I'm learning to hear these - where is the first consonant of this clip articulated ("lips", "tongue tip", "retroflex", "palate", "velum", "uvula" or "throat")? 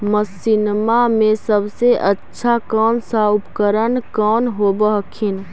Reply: lips